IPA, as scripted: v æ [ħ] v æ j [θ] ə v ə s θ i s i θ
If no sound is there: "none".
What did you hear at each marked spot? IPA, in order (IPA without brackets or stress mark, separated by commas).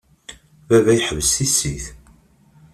none, ħ